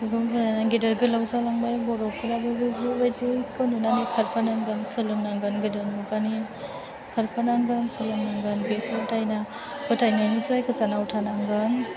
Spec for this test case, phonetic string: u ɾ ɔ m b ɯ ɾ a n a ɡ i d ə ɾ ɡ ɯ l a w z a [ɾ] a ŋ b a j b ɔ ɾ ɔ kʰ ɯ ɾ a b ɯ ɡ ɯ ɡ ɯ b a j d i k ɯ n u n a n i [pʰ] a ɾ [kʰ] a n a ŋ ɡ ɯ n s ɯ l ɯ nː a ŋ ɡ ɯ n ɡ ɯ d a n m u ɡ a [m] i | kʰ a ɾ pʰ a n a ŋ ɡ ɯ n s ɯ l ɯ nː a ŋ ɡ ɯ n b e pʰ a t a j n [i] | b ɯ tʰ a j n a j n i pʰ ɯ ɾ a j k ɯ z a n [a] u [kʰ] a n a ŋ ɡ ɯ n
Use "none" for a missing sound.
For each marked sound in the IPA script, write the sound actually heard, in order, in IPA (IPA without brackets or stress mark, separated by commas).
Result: l, kʰ, pʰ, n, a, a, tʰ